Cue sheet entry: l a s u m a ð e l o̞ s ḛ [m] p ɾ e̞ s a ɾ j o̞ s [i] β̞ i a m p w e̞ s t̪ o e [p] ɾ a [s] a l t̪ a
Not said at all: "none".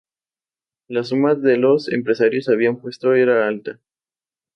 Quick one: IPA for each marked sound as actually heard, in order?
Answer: m, a, none, none

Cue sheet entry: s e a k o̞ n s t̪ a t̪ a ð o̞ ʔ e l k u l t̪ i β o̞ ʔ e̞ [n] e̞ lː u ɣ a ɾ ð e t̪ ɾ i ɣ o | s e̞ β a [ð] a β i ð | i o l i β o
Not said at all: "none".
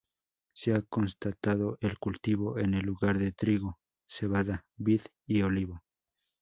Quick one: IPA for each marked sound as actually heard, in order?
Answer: n, ð

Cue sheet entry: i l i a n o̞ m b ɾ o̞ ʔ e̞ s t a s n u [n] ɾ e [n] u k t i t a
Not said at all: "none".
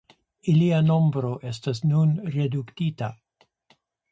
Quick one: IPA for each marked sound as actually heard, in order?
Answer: n, d

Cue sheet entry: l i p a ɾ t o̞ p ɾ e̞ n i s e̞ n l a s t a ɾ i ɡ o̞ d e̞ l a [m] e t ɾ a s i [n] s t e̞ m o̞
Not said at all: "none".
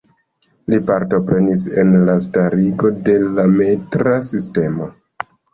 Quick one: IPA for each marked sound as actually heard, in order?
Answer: m, none

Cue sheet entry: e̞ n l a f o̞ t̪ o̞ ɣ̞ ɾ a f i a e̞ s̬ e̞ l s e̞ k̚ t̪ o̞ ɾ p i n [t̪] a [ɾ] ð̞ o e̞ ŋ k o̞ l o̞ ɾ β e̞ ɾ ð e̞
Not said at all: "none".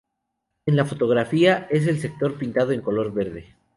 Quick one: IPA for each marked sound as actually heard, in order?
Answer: t̪, none

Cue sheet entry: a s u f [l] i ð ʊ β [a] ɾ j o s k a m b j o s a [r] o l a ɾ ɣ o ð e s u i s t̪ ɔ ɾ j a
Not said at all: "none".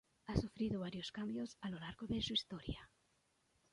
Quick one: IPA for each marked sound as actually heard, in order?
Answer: ɾ, a, l

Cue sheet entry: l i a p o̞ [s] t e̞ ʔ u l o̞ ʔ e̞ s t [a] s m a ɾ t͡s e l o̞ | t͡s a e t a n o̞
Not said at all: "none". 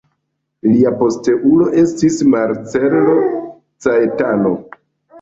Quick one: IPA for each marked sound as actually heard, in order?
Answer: s, i

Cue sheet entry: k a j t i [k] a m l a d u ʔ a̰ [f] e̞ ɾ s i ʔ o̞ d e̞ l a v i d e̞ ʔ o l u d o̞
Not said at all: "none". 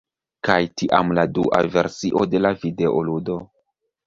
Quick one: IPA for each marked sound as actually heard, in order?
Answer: ʔ, v

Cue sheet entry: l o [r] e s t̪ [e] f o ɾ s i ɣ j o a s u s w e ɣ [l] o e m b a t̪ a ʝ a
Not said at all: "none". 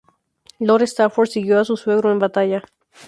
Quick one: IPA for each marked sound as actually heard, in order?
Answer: ɾ, a, ɾ

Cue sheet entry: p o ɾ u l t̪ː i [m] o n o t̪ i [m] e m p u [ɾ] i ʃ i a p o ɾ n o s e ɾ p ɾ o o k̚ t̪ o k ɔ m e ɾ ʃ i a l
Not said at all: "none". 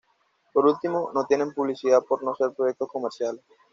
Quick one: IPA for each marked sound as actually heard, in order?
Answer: m, n, l

